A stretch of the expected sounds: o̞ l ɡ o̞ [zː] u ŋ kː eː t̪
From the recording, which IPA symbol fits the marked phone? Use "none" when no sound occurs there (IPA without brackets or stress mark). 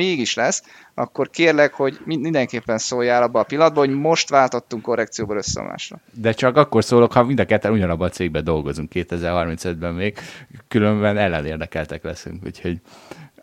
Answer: z